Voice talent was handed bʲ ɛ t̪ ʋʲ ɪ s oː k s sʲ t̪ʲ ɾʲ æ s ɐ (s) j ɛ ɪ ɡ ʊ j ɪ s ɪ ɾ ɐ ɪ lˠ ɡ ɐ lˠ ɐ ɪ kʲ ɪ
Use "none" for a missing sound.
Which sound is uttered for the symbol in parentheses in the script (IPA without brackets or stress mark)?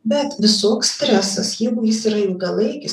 s